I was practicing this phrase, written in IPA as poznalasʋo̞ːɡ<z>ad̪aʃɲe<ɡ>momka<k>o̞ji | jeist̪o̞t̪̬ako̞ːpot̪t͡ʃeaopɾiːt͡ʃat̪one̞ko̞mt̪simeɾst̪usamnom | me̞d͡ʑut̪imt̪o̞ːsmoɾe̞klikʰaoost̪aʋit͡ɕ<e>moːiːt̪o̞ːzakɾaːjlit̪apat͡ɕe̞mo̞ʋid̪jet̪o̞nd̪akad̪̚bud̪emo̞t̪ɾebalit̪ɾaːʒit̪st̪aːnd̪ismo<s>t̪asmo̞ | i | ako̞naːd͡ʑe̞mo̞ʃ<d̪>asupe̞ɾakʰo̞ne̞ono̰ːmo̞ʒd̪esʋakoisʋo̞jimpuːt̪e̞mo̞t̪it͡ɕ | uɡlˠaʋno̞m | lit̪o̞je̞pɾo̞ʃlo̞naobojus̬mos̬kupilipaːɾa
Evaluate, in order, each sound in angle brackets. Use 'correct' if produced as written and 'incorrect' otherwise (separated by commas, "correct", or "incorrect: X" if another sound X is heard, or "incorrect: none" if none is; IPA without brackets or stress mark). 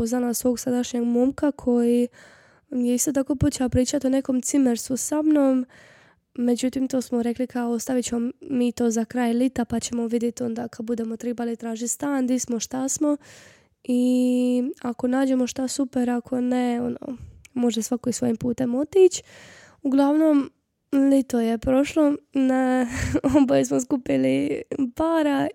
incorrect: s, correct, incorrect: kʰ, correct, incorrect: ʃ, incorrect: t̪